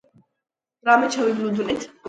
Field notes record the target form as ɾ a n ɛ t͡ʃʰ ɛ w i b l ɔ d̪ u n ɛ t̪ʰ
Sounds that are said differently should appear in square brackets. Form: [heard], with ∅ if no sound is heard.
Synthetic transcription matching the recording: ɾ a [m] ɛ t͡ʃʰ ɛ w i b l [u] d̪ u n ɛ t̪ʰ